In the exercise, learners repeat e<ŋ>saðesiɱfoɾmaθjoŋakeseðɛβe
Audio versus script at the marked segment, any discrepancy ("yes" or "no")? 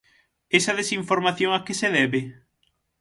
yes